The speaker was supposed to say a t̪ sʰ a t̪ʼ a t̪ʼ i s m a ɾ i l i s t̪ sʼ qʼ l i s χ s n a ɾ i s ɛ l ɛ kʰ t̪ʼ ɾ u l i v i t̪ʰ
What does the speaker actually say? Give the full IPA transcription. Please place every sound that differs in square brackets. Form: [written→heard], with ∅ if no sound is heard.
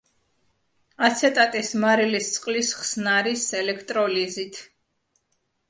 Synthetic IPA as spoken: a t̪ sʰ [a→ɛ] t̪ʼ a t̪ʼ i s m a ɾ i l i s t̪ sʼ qʼ l i s χ s n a ɾ i s ɛ l ɛ kʰ t̪ʼ ɾ [u→ɔ] l i [v→z] i t̪ʰ